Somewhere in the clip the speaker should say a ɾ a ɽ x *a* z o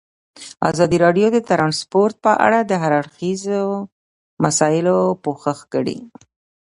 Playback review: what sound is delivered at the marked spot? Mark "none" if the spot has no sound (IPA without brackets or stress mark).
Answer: i